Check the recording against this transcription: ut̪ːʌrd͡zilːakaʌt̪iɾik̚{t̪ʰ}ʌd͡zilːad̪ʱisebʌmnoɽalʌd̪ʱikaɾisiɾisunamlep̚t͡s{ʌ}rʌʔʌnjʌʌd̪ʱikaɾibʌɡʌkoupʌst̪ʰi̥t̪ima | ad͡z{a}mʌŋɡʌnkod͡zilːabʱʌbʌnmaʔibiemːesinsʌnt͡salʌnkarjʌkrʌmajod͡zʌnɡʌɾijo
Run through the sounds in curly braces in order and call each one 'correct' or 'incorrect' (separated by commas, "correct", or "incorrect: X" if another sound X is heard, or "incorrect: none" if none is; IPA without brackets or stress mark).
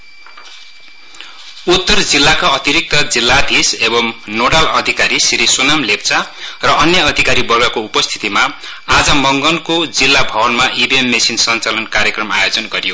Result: incorrect: t̪, incorrect: a, incorrect: ʌ